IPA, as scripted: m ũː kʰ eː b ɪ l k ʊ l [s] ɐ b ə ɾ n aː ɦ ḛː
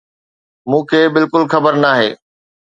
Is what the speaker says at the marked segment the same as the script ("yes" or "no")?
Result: no